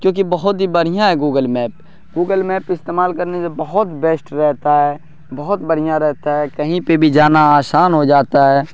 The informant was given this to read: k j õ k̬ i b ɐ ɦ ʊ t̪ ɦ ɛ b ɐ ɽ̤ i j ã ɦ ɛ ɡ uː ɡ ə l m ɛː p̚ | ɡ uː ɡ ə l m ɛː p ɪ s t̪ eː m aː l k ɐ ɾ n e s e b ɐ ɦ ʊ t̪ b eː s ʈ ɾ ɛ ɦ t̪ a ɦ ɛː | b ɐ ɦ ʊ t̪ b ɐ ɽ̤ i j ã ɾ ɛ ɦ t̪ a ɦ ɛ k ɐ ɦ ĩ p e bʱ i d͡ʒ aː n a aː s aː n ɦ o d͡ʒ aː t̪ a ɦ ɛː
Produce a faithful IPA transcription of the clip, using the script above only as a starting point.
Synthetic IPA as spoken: k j õː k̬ i b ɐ ɦ ʊ t̪ ɦ i b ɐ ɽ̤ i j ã ɦ ɛ ɡ uː ɡ ə l m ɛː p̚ | ɡ uː ɡ ə l m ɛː p ɪ s t̪ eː m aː l k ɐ ɾ n e s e b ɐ ɦ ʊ t̪ b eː s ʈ ɾ ɛ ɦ t̪ a ɦ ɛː | b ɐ ɦ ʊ t̪ b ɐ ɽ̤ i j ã ɾ ɛ ɦ t̪ a ɦ ɛ k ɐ ɦ ĩ p e bʱ i d͡ʒ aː n a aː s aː n ɦ o d͡ʒ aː t̪ a ɦ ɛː